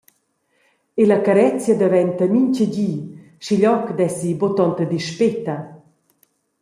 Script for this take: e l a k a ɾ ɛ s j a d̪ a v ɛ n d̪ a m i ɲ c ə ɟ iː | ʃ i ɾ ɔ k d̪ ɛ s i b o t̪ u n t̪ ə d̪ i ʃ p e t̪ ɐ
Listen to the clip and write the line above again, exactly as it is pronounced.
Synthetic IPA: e l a k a ɾ ɛ t͡s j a d̪ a v ɛ n t̪ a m i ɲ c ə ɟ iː | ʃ i ʎ ɔ k d̪ ɛ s i b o t̪ ɔ n t̪ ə d̪ i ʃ p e t̪ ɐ